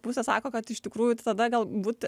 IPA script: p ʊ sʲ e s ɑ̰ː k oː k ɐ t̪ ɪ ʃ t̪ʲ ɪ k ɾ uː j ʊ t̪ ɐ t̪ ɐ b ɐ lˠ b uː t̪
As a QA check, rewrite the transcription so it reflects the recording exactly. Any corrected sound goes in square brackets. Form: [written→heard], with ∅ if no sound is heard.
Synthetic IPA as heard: p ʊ sʲ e s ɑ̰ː k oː k ɐ t̪ ɪ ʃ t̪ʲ ɪ k ɾ uː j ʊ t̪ ɐ [t̪→d̪] ɐ [b→ɡ] ɐ lˠ b uː t̪